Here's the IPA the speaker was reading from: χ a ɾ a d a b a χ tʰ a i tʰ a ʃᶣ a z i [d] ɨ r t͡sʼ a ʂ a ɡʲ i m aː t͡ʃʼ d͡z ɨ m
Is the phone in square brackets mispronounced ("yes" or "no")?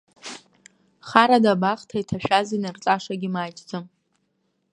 yes